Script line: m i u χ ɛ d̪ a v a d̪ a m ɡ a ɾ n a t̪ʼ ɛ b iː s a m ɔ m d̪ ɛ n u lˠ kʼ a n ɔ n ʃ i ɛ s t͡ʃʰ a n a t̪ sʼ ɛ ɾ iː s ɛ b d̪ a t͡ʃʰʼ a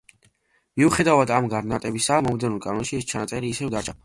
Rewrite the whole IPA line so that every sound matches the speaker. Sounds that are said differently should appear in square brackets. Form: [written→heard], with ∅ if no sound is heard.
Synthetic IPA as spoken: m i u χ ɛ d̪ a v a d̪ a m ɡ a ɾ n a t̪ʼ ɛ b [iː→i] s a m ɔ m d̪ ɛ n u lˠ kʼ a n ɔ n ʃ i ɛ s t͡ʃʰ a n a t̪ sʼ ɛ ɾ iː s ɛ [b→v] d̪ a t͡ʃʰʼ a